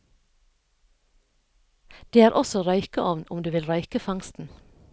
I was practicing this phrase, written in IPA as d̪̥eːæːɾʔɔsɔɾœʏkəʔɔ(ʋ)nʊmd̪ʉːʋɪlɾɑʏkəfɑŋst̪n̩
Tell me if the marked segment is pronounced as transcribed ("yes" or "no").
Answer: yes